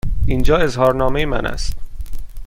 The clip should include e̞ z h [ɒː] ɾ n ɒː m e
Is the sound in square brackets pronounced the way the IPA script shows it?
yes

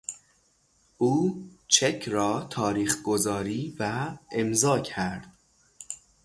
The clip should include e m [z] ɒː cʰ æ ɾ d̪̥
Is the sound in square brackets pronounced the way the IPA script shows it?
yes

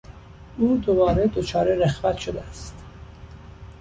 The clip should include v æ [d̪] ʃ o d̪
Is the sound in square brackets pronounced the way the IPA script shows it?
no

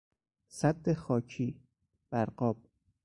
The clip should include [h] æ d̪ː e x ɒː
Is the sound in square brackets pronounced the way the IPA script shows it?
no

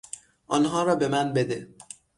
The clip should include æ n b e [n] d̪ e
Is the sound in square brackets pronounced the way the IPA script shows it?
no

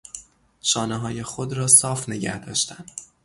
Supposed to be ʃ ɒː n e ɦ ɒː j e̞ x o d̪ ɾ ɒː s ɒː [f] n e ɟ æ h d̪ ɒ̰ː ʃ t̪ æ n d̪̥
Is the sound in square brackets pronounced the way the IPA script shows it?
yes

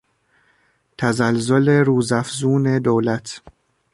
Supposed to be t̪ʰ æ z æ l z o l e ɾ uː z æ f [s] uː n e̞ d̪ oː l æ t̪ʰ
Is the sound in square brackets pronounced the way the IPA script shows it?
no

